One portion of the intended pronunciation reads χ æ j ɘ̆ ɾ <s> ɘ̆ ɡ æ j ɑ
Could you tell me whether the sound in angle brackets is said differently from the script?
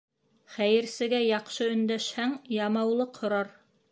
no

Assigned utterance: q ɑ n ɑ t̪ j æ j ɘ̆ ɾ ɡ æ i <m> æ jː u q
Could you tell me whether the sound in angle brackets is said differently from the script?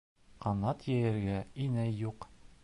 yes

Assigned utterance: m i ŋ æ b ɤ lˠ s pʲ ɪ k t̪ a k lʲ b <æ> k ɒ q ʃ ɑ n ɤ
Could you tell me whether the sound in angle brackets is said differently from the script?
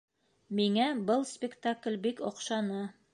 yes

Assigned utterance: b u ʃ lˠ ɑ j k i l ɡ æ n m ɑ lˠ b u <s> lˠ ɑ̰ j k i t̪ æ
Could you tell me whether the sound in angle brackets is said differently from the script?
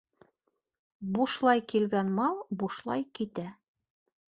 yes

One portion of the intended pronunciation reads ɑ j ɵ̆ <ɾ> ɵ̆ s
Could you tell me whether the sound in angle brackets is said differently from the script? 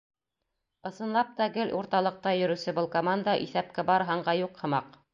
no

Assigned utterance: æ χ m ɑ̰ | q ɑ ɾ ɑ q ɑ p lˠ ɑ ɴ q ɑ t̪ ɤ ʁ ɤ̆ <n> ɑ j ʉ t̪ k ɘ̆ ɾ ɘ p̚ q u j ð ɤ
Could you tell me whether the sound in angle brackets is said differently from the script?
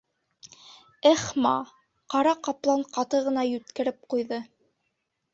no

